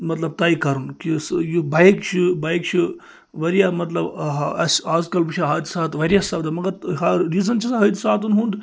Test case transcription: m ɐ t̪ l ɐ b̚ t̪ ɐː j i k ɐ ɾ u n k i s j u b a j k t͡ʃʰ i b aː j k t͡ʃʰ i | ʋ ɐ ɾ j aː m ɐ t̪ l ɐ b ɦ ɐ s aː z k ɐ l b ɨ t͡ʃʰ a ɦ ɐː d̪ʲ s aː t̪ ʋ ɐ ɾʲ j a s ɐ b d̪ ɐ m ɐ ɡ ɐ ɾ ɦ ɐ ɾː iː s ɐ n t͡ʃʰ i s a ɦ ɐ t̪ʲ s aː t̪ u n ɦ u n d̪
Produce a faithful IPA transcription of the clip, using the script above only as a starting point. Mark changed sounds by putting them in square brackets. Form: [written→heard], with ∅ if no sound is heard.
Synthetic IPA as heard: m ɐ t̪ l ɐ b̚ t̪ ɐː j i k ɐ ɾ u n k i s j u b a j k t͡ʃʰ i b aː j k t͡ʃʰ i | ʋ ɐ ɾ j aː m ɐ t̪ l ɐ b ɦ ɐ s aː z k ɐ l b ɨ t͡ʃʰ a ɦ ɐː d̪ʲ s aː t̪ ʋ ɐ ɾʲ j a s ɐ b d̪ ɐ m ɐ ɡ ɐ ɾ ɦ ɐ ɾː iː [s→z] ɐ n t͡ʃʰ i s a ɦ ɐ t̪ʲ s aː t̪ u n ɦ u n d̪